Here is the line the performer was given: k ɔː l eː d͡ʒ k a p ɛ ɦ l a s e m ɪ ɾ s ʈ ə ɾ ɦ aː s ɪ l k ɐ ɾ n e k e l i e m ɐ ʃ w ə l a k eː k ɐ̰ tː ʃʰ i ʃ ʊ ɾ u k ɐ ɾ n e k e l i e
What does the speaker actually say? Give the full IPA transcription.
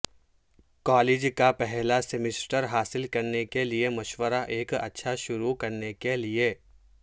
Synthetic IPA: k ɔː l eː d͡ʒ k a p ɛ ɦ l a s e m ɪ s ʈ ə ɾ ɦ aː s ɪ l k ɐ ɾ n e k e l i e m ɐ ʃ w ə ɾ a ʔ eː k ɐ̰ tː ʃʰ a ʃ ʊ ɾ u k ɐ ɾ n e k e l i e